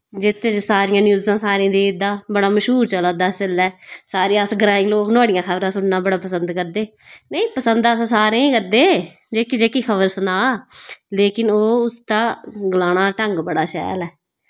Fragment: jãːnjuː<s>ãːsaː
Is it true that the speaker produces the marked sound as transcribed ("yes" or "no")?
no